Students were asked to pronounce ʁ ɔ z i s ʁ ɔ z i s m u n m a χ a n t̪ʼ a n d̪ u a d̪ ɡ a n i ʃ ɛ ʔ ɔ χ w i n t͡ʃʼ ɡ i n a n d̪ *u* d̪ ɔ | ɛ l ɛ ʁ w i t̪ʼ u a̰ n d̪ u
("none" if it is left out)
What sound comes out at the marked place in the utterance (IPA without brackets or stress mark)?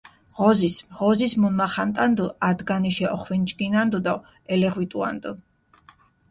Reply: u